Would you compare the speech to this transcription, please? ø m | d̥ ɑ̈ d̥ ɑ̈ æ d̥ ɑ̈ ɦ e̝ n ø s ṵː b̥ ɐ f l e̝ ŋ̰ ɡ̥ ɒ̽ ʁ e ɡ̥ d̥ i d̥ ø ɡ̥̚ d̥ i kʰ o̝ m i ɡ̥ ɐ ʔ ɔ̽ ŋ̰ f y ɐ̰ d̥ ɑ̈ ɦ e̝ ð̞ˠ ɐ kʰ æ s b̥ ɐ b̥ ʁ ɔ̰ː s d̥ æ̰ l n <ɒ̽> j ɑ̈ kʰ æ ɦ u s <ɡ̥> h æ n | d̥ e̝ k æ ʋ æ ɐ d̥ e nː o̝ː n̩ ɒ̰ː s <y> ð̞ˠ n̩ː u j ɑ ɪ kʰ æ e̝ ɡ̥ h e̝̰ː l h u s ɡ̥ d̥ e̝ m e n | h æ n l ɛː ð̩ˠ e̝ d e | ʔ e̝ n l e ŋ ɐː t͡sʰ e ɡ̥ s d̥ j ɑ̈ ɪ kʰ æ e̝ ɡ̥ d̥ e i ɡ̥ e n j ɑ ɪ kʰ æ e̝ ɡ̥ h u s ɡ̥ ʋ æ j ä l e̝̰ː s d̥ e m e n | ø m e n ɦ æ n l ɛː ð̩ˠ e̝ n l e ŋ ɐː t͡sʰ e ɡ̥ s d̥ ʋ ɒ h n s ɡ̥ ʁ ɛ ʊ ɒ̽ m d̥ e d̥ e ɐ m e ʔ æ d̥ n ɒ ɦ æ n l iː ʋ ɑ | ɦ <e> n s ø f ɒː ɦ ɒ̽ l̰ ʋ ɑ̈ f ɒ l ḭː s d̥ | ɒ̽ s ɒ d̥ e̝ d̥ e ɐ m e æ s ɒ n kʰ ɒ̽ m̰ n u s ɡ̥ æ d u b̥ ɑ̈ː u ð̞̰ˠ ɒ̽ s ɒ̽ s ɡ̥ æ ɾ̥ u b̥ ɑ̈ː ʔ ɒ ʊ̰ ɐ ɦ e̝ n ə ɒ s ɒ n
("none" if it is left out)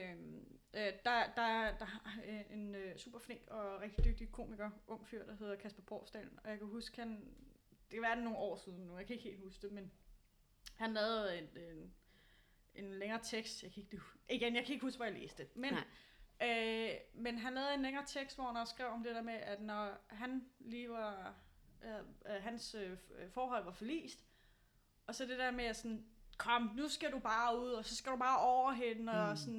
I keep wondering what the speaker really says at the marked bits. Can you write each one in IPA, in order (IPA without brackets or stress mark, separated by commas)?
ɒ̽, ɡ̥, i, æ